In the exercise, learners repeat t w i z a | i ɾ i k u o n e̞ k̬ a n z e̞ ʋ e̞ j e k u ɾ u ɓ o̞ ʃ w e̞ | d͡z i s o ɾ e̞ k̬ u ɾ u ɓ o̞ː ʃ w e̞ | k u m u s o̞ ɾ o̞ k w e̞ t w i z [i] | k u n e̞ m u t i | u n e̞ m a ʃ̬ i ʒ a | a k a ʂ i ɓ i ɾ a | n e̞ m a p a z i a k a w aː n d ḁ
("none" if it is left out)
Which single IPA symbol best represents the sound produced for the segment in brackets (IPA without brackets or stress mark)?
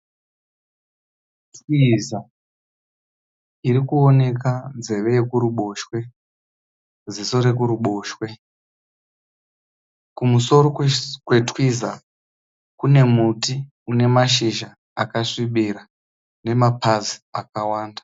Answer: a